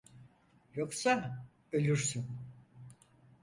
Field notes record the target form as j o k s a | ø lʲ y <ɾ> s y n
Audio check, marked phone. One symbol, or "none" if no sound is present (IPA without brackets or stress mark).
ɾ